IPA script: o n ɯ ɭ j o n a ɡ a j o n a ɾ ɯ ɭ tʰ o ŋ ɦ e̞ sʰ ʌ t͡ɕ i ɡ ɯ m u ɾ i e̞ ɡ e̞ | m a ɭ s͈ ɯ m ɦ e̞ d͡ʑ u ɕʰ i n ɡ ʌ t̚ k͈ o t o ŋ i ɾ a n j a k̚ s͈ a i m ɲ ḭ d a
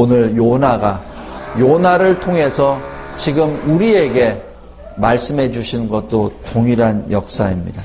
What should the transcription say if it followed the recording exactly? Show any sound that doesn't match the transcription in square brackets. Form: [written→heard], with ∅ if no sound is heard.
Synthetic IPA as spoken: o n ɯ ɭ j o n a ɡ a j o n a ɾ ɯ ɭ tʰ o ŋ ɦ e̞ sʰ ʌ t͡ɕ i ɡ ɯ m u ɾ i e̞ ɡ e̞ | m a ɭ s͈ ɯ m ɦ e̞ d͡ʑ u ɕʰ i n ɡ ʌ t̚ [k͈→t͈] o t o ŋ i ɾ a n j [a→ʌ] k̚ s͈ a i m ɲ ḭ d a